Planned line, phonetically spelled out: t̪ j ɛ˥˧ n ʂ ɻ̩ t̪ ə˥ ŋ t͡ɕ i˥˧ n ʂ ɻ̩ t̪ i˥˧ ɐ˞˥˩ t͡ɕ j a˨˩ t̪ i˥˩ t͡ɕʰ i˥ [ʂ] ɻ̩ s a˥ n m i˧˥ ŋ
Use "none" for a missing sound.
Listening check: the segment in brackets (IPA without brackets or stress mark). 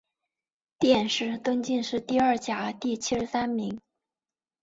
ʂ